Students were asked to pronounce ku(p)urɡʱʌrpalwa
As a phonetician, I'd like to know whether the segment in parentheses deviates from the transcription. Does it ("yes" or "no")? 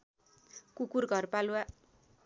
yes